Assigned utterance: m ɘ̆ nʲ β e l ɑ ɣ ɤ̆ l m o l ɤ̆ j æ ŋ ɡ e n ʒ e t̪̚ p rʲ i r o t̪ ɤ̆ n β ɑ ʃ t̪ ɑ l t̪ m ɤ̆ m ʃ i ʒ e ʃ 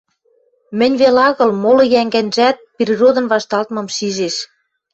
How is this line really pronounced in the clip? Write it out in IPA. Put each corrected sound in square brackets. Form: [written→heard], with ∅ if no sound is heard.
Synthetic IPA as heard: m ɘ̆ nʲ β e l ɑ ɣ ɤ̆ l m o l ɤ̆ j æ ŋ ɡ [e→æ] n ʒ [e→æ] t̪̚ p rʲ i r o [t̪→d̪] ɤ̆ n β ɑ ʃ t̪ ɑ l t̪ m ɤ̆ m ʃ i ʒ e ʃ